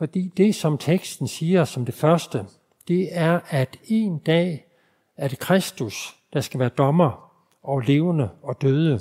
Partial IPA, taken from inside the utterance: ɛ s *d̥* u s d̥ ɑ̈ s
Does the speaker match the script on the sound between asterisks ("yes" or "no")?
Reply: yes